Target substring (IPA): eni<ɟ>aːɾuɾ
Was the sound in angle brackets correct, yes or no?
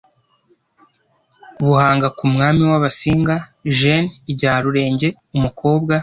yes